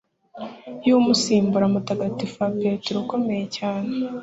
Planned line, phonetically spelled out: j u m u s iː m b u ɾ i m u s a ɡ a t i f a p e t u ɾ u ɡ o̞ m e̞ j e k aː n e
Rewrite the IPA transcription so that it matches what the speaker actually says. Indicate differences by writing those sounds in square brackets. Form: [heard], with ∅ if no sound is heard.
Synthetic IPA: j u m u s iː m b u ɾ [a] m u [t] a ɡ a t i f a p e t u ɾ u [k] o̞ m e̞ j e [c] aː n e